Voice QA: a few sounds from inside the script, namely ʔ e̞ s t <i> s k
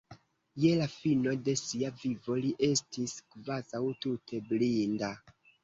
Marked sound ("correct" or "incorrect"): correct